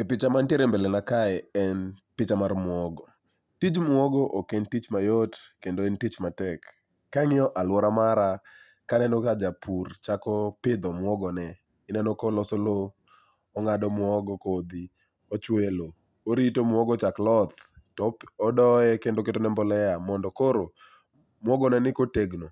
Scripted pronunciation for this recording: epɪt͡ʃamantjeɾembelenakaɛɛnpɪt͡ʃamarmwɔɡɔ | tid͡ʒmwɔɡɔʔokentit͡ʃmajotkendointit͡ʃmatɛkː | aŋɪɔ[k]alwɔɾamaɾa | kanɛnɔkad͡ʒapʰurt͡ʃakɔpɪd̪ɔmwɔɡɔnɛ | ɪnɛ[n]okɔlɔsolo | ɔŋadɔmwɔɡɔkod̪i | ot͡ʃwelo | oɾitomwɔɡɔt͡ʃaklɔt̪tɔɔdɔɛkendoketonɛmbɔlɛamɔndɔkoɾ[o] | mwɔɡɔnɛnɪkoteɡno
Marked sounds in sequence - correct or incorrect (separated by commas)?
incorrect, correct, correct